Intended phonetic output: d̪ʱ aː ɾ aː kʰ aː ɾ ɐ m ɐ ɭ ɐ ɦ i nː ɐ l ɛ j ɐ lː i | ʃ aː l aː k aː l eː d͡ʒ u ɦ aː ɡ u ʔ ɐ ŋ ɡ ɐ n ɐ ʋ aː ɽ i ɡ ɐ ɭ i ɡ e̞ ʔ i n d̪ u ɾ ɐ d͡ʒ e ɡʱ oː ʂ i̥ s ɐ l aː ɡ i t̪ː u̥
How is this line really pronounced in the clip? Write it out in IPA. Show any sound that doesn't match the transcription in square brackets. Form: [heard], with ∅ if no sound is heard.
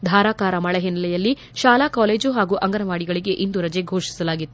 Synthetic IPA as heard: d̪ʱ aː ɾ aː [k] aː ɾ ɐ m ɐ ɭ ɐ ɦ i nː ɐ l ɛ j ɐ lː i | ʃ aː l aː k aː l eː d͡ʒ u ɦ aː ɡ u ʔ ɐ ŋ ɡ ɐ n ɐ ʋ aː ɽ i ɡ ɐ ɭ i ɡ e̞ ʔ i n d̪ u ɾ ɐ d͡ʒ e ɡʱ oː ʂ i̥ s ɐ l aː ɡ i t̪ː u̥